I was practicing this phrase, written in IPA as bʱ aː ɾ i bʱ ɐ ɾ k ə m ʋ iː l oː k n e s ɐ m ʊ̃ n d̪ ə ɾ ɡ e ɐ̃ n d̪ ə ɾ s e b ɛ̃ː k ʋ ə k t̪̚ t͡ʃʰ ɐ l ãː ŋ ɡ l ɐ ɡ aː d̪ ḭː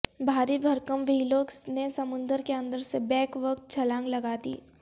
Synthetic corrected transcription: bʱ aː ɾ i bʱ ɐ ɾ k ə m ʋ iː l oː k n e s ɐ m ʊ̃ n d̪ ə ɾ k e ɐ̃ n d̪ ə ɾ s e b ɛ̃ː k ʋ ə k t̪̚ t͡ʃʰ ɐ l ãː ŋ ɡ l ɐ ɡ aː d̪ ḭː